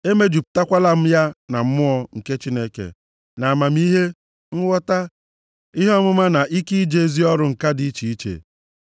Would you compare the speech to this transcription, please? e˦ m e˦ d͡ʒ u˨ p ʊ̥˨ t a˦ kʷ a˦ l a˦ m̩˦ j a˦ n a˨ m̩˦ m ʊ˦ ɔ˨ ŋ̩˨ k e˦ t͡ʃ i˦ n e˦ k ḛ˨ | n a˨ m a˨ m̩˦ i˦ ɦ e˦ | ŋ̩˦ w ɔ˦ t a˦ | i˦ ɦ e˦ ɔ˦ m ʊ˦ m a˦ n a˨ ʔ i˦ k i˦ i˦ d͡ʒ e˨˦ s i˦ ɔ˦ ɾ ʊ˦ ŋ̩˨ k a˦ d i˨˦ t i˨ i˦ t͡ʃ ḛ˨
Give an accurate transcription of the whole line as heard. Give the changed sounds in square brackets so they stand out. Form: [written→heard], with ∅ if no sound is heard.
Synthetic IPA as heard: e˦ m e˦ d͡ʒ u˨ p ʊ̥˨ t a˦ kʷ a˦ l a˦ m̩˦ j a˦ n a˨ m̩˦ m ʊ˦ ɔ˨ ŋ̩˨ k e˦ t͡ʃ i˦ n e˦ k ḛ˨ | n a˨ m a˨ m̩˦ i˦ ɦ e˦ | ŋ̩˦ w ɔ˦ t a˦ | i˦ ɦ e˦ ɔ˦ m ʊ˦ m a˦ n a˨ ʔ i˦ k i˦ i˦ d͡ʒ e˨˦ [s→z] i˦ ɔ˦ ɾ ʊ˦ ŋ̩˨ k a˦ d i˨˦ [t→t͡ʃ] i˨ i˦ t͡ʃ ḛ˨